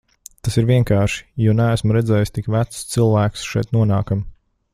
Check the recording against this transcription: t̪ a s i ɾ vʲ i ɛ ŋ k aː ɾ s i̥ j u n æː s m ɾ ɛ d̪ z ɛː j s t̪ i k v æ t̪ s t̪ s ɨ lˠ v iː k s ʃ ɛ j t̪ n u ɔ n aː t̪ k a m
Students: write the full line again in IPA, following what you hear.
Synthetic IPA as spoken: t̪ a s i ɾ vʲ i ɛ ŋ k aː ɾ ʃ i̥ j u n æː s m ɾ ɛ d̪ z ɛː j s t̪ i k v æ t̪ s t̪ s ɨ lˠ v æː k s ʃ ɛ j t̪ n u ɔ n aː k a m